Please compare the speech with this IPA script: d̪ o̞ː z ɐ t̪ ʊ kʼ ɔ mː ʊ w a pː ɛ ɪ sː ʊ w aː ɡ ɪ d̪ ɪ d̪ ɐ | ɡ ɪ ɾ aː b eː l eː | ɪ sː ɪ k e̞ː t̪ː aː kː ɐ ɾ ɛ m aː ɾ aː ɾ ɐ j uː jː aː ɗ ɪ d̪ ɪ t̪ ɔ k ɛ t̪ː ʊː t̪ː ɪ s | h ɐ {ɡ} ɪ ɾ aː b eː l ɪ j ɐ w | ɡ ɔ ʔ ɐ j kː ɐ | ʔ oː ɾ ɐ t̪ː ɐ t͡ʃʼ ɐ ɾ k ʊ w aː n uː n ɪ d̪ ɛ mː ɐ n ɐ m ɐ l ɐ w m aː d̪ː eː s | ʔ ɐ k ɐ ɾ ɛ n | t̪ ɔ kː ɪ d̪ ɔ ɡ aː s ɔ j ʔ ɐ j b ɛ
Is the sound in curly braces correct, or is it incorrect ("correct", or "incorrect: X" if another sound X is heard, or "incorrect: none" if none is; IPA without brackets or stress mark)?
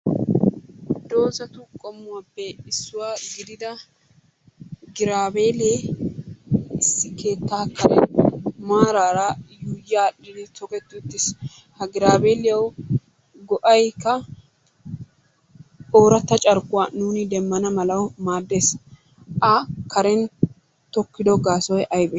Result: correct